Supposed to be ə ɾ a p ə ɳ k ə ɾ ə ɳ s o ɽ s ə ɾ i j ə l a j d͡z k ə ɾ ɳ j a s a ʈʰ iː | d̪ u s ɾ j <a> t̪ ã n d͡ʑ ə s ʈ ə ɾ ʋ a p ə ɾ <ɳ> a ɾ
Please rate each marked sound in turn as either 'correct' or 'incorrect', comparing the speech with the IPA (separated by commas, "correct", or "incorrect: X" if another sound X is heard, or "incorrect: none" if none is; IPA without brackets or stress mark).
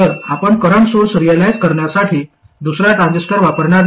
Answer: correct, correct